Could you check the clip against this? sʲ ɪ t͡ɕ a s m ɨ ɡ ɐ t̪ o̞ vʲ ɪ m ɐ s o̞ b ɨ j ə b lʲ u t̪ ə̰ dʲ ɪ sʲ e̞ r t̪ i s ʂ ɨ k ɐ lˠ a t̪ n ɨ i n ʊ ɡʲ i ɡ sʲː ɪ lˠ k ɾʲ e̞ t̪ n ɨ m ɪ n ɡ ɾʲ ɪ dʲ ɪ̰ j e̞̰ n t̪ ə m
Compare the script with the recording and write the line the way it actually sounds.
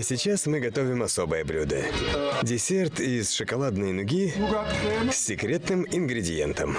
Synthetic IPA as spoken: sʲ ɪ t͡ɕ a s m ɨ ɡ ɐ t̪ o̞ vʲ ɪ m ɐ s o̞ b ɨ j ə b lʲ u d̪ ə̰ dʲ ɪ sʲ e̞ r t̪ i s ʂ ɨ k ɐ lˠ a d̪ n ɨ j n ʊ ɡʲ i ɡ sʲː ɪ k ɾʲ e̞ t̪ n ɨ m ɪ n ɡ ɾʲ ɪ dʲ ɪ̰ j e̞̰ n t̪ ə m